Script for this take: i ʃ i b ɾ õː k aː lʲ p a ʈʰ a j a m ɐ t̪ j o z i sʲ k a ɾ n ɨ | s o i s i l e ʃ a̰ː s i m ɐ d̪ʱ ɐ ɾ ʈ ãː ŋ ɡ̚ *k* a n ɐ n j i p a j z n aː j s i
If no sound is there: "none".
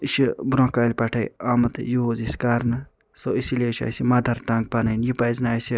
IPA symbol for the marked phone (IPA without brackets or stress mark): p